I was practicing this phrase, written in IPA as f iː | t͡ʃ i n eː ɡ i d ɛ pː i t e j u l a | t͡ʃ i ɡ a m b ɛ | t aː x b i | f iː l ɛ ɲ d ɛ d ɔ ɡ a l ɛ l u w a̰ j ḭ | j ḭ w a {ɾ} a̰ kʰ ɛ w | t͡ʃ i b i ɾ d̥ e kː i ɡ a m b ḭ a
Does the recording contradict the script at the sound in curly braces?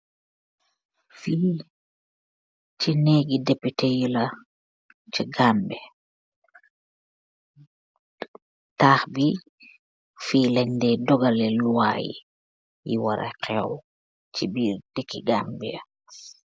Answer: no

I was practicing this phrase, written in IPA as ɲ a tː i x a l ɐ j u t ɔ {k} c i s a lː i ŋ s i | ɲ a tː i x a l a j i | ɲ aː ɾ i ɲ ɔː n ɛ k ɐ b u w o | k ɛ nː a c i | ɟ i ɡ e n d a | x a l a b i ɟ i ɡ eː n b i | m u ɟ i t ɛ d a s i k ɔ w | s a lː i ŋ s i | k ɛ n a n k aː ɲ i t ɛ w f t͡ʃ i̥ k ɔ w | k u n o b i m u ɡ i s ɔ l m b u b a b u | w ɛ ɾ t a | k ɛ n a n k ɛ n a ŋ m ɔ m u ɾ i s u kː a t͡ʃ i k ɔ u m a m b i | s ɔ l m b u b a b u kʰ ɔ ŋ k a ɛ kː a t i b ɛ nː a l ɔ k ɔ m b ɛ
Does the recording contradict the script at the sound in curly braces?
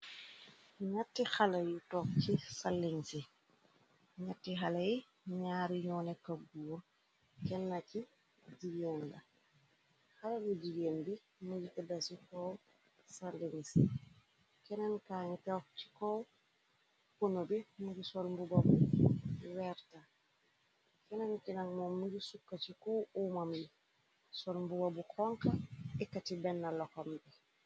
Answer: no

